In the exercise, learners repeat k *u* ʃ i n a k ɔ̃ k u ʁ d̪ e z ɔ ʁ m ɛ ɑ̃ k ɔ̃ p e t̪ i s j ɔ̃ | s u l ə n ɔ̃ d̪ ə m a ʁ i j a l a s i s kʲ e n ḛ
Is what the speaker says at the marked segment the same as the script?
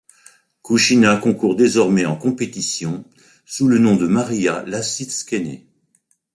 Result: yes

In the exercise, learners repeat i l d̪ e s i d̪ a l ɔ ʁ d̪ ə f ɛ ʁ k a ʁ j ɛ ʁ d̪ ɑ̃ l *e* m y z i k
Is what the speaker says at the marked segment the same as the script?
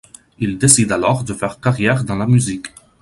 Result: no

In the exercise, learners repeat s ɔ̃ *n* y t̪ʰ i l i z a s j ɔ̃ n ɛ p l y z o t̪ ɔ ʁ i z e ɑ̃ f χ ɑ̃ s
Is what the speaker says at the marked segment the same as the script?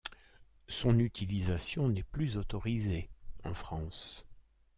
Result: yes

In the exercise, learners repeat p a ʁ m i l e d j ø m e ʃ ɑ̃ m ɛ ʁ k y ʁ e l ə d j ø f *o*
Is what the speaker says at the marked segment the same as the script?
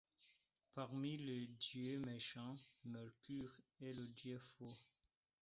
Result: yes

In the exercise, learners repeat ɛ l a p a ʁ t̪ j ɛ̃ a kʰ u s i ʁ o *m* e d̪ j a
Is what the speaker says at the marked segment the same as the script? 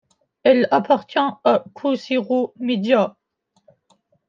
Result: yes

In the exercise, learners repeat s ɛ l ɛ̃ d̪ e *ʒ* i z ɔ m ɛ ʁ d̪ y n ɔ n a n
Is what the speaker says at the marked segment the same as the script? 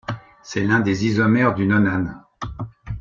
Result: no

